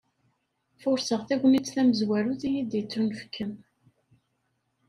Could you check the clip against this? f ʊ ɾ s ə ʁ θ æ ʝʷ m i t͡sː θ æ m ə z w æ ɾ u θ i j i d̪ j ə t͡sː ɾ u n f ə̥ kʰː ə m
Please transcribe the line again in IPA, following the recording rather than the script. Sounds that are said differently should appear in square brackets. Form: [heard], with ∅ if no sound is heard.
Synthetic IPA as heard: f ʊ ɾ s ə ʁ θ æ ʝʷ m i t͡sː θ æ m ə z w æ ɾ u θ i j i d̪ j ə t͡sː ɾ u n f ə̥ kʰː ə m